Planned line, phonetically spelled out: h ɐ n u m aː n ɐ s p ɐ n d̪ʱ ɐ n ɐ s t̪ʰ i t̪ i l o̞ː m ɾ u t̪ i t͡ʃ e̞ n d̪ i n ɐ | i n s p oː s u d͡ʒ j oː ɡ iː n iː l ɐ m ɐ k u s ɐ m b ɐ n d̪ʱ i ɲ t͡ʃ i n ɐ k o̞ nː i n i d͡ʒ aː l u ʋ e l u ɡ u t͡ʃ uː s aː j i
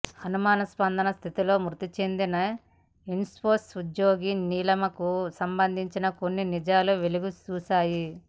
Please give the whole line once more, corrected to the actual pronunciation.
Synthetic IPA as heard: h ɐ n u m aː n ɐ s p ɐ n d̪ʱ ɐ n ɐ s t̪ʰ i t̪ i l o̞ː m ɾ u t̪ i t͡ʃ e̞ n d̪ i n ɐ | i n s p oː s u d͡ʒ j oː ɡ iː n iː l ɐ m ɐ k u s ɐ m b ɐ n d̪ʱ i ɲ t͡ʃ i n ɐ k o̞ nː i n i d͡ʒ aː l u ʋ e l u ɡ u t͡ʃ uː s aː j i

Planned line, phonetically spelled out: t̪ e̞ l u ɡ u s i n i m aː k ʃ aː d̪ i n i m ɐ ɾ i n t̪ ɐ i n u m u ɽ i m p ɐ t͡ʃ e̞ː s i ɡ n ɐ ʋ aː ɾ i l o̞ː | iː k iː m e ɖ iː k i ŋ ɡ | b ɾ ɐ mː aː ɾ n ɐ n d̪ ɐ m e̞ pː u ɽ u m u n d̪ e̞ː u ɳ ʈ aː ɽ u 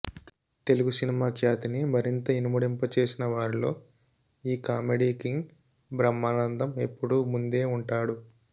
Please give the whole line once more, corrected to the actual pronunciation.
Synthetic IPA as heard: t̪ e̞ l u ɡ u s i n i m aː k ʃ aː t̪ i n i m ɐ ɾ i n t̪ ɐ i n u m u ɽ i m p ɐ t͡ʃ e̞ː s i n ɐ ʋ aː ɾ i l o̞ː | iː k aː m e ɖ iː k i ŋ ɡ | b ɾ ɐ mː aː n ɐ n d̪ ɐ m e̞ pː u ɽ u m u n d̪ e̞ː u ɳ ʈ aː ɽ u

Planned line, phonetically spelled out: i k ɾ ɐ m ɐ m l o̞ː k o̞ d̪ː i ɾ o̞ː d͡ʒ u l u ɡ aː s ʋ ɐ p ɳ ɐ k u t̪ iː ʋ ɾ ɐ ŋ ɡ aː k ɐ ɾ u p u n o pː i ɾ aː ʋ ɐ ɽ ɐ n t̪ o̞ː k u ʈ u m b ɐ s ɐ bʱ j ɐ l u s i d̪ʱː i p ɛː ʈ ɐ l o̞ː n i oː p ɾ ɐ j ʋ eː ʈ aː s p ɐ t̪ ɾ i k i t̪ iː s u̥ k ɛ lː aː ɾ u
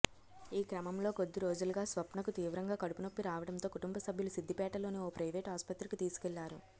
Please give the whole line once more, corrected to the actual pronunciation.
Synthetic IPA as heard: iː k ɾ ɐ m ɐ m l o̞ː k o̞ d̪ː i ɾ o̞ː d͡ʒ u l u ɡ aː s ʋ ɐ p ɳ ɐ k u t̪ iː ʋ ɾ ɐ ŋ ɡ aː k ɐ ɽ u p u n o pː i ɾ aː ʋ ɐ ɽ ɐ n t̪ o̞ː k u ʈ u m b ɐ s ɐ bʱ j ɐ l u s i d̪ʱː i p ɛː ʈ ɐ l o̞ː n i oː p ɾ ɐ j ʋ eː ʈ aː s p ɐ t̪ ɾ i k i t̪ iː s u̥ k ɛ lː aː ɾ u

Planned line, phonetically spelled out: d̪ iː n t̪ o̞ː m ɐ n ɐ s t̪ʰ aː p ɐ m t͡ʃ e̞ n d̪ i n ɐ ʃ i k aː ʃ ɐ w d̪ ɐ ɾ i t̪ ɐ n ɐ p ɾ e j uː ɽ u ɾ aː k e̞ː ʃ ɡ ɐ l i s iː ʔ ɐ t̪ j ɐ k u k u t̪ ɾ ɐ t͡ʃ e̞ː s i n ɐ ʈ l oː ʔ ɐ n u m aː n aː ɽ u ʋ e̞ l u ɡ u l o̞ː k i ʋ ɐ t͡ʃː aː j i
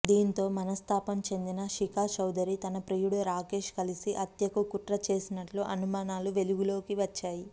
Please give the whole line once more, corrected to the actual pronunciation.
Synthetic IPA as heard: d̪ iː n t̪ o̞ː m ɐ n ɐ s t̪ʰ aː p ɐ m t͡ʃ e̞ n d̪ i n ɐ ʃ i k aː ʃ ɐ w d̪ ɐ ɾ i t̪ ɐ n ɐ p ɾ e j u ɽ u ɾ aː k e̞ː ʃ k ɐ l i s i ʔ ɐ t̪ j ɐ k u k u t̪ ɾ ɐ t͡ʃ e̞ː s i n ɐ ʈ l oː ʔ ɐ n u m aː n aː l u ʋ e̞ l u ɡ u l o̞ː k i ʋ ɐ t͡ʃː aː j i

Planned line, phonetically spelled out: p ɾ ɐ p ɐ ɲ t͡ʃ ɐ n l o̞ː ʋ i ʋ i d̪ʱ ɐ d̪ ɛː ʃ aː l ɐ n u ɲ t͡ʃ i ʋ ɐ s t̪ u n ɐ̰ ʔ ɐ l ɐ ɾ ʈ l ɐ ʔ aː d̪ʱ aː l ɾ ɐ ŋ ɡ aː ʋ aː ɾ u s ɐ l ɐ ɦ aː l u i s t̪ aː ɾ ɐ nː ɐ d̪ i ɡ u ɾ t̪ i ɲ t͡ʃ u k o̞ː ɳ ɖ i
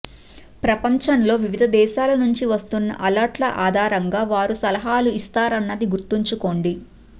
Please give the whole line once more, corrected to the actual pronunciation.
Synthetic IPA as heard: p ɾ ɐ p ɐ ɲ t͡ʃ ɐ n l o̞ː ʋ i ʋ i d̪ʱ ɐ d̪ ɛː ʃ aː l ɐ n u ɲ t͡ʃ i ʋ ɐ s t̪ u nː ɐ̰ ʔ ɐ l ɐ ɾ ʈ l ɐ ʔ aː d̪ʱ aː ɾ ɐ ŋ ɡ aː ʋ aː ɾ u s ɐ l ɐ ɦ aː l u i s t̪ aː ɾ ɐ nː ɐ d̪ i ɡ u ɾ t̪ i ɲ t͡ʃ u k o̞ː ɳ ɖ i

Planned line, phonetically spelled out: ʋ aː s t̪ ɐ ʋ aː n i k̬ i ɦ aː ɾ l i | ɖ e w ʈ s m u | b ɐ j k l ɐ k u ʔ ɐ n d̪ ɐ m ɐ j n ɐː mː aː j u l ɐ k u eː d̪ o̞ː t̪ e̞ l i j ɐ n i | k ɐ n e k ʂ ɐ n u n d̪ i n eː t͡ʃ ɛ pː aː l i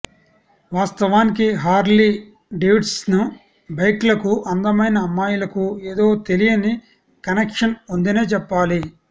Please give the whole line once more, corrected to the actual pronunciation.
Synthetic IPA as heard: ʋ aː s t̪ ɐ ʋ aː n i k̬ i ɦ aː ɾ l i | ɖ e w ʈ s n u | b ɐ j k l ɐ k u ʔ ɐ n d̪ ɐ m ɐ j n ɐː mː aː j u l ɐ k u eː d̪ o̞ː t̪ e̞ l i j ɐ n i | k ɐ n e k ʂ ɐ n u n d̪ i n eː t͡ʃ ɛ pː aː l i

